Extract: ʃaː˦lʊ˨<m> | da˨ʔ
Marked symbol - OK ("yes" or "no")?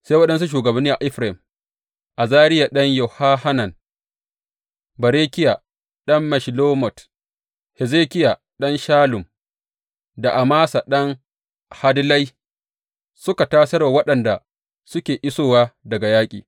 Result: yes